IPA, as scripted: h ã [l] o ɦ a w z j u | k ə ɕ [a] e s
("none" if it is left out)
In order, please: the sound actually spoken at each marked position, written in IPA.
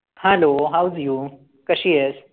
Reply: l, i

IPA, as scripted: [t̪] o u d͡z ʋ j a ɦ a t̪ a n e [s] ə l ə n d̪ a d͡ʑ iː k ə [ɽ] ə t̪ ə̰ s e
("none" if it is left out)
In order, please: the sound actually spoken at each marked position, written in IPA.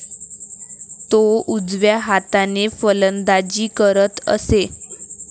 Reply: t̪, f, ɾ

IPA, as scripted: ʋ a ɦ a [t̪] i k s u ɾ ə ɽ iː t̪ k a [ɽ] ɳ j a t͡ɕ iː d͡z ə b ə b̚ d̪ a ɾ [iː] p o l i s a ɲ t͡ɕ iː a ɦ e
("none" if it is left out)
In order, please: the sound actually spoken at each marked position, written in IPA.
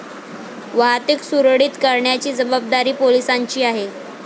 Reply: t̪, ɾ, iː

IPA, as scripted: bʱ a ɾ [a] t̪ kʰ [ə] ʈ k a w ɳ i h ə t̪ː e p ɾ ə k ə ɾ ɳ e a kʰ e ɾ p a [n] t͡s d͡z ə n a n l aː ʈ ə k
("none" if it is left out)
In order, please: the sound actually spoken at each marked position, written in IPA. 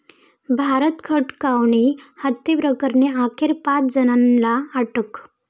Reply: ə, ə, none

